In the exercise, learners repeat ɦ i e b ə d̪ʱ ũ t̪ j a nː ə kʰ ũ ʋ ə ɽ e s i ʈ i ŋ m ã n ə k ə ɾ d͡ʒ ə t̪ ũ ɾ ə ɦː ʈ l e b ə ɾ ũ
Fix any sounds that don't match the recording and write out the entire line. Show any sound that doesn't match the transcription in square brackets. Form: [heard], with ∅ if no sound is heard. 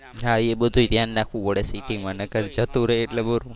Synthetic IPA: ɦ [a] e b ə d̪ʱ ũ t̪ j a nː [a] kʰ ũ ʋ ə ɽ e s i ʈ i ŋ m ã n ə k ə ɾ d͡ʒ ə t̪ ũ ɾ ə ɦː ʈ l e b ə ɾ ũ

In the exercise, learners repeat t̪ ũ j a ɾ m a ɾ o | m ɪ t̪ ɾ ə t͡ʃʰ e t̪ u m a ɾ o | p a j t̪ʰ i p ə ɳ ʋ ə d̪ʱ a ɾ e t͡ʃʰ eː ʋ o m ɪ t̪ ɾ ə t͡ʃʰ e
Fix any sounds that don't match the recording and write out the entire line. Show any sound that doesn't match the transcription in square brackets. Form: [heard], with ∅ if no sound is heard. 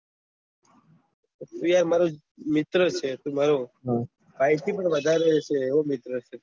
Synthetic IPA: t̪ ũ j a ɾ m a ɾ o | m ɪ t̪ ɾ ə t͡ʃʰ e t̪ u m a ɾ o | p a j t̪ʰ i p ə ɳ ʋ ə d̪ʱ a ɾ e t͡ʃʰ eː ʋ o m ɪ t̪ ɾ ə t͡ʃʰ e

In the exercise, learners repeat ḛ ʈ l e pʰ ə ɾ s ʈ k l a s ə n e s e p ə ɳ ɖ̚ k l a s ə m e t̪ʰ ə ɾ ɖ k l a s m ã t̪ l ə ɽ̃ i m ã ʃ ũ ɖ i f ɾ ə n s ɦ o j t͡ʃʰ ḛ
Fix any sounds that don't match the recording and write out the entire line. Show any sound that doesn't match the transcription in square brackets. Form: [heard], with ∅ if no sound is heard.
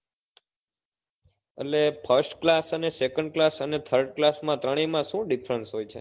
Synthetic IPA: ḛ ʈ l e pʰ ə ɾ s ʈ k l a s ə n e s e [k] ə ɳ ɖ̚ k l a s ə [n] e t̪ʰ ə ɾ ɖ k l a s m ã t̪ [ɾ] ə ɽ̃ i m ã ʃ ũ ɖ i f ɾ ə n s ɦ o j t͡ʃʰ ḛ

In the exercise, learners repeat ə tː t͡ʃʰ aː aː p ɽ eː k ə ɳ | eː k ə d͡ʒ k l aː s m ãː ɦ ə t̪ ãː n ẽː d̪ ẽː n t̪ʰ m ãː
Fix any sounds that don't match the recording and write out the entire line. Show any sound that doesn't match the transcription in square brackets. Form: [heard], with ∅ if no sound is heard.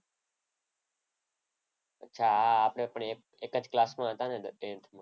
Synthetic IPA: ə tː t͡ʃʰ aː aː p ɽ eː [p] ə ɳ | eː k ə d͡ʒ k l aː s m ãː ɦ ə t̪ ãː n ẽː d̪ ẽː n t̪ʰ m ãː

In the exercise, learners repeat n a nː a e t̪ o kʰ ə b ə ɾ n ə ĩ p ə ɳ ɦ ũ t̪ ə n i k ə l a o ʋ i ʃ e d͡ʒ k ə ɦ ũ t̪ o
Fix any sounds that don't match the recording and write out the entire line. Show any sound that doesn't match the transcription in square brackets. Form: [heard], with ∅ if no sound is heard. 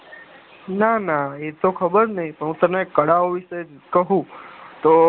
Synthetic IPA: n a [n] a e t̪ o kʰ ə b ə ɾ n ə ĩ p ə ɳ ɦ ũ t̪ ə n [e] k ə [ɽ] a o ʋ i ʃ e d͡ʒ k ə ɦ ũ t̪ o

